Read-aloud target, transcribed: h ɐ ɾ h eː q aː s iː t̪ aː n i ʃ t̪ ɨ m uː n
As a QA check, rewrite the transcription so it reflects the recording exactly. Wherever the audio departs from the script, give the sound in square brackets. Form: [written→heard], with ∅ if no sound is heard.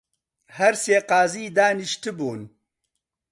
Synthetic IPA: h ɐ ɾ [h→s] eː q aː [s→z] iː [t̪→d̪] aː n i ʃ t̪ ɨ [m→b] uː n